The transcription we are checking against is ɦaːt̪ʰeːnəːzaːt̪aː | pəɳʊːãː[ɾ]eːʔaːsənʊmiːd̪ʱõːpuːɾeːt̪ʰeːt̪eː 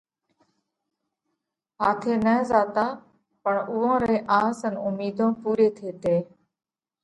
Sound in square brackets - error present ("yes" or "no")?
no